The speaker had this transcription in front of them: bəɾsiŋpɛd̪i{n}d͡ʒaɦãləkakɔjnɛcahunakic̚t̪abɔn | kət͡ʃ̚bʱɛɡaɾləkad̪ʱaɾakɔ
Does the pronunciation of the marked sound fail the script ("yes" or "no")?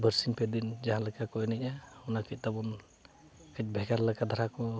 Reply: no